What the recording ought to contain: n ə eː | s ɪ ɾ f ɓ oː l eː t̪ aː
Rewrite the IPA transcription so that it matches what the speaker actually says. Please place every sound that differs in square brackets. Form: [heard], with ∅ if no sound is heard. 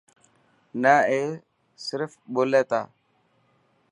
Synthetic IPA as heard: n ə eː | s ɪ ɾ f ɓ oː l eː t̪ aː